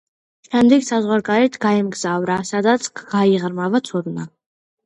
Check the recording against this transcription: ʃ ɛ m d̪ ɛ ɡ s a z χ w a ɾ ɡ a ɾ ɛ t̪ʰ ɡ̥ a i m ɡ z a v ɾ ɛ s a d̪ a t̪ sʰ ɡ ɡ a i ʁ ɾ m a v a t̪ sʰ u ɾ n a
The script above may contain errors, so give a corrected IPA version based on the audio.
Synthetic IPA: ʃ ɛ m d̪ ɛ ɡ s a z ʁ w a ɾ ɡ a ɾ ɛ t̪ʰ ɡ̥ a ɛ m ɡ z a v ɾ a s a d̪ a t̪ sʰ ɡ ɡ a i ʁ ɾ m a v a t̪ sʰ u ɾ n a